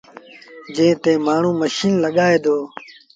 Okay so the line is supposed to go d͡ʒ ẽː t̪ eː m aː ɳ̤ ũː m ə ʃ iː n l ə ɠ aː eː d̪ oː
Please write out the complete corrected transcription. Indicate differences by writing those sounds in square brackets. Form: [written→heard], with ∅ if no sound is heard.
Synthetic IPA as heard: d͡ʒ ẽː t̪ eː m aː ɳ̤ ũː m ə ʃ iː n l ə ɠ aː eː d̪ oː